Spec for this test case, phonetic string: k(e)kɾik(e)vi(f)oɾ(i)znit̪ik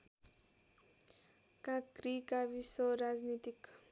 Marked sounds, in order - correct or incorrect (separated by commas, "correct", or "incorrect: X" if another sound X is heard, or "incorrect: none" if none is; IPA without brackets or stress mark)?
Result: incorrect: a, incorrect: a, incorrect: s, incorrect: a